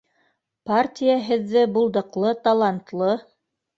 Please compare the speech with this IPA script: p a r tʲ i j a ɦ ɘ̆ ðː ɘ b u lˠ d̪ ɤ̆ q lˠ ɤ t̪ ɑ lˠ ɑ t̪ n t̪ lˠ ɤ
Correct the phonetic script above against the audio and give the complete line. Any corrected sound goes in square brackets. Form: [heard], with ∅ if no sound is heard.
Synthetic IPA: p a r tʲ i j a ɦ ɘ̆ ðː ɘ b u lˠ d̪ ɤ̆ q lˠ ɤ t̪ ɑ lˠ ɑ [∅] n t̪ lˠ ɤ